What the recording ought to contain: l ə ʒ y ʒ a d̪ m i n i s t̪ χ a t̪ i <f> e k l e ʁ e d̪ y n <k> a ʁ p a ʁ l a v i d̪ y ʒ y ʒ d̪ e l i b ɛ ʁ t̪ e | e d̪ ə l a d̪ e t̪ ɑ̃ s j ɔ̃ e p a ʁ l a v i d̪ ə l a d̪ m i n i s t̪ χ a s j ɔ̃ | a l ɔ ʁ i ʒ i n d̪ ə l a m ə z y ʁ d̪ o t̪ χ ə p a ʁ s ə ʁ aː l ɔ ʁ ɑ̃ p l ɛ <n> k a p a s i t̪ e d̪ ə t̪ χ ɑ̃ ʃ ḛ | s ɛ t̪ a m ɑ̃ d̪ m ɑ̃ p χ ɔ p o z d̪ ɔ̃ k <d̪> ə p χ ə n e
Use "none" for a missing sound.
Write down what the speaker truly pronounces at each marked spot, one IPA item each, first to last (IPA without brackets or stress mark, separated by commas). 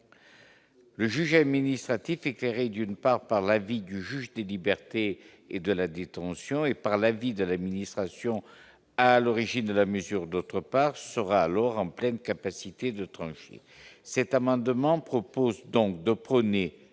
f, p, n, d̪